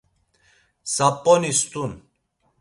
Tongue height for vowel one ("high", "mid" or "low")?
low